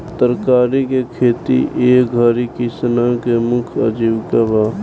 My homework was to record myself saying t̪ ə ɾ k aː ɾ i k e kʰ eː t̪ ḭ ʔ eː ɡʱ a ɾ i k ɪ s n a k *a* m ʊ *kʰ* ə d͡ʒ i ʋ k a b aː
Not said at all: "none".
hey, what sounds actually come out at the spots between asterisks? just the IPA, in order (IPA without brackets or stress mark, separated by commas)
e, kʰ